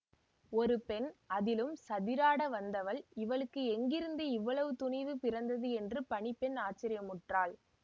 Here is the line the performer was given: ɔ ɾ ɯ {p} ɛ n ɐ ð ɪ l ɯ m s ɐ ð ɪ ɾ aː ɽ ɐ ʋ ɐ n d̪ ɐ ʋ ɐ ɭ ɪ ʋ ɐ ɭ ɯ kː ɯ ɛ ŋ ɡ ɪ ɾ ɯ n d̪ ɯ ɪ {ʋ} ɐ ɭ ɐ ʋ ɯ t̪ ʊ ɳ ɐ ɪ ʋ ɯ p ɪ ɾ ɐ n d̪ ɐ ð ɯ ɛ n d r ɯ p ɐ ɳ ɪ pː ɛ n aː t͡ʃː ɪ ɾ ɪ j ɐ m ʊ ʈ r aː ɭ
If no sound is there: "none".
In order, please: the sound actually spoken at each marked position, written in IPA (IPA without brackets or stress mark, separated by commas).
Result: p, ʋː